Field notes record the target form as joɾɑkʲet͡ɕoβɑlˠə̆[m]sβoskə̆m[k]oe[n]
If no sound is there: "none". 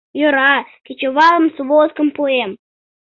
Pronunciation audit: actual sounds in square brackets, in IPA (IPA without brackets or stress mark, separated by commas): m, p, m